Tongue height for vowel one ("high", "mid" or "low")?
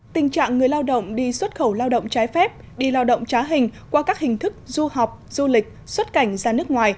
high